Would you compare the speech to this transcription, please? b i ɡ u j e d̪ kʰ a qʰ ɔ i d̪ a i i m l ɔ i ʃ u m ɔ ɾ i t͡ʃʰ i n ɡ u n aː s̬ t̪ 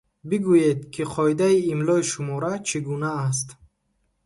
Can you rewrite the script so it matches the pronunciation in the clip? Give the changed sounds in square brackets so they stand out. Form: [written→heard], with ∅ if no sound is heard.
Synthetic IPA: b i ɡ u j e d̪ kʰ [a→i] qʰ ɔ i d̪ a i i m l ɔ i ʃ u m ɔ ɾ [i→a] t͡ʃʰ i [n→∅] ɡ u n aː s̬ t̪